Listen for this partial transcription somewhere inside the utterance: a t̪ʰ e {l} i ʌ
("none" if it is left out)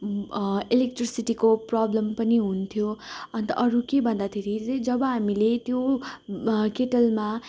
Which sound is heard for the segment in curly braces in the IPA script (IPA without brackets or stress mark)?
ɾ